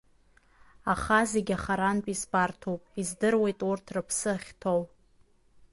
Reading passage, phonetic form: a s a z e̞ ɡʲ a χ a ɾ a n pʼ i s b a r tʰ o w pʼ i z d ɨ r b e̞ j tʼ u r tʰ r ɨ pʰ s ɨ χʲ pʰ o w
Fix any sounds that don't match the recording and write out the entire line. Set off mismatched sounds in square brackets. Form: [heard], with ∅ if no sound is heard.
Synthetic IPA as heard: a [χ] a z e̞ ɡʲ a χ a ɾ a n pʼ i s b a r tʰ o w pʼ i z d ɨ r [w] e̞ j tʼ u r tʰ r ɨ pʰ s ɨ χʲ [tʰ] o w